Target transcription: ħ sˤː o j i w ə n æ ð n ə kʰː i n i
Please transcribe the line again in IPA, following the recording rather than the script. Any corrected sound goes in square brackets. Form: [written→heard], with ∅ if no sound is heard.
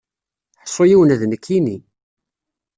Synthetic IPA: ħ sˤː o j i w ə n æ ð n ə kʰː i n i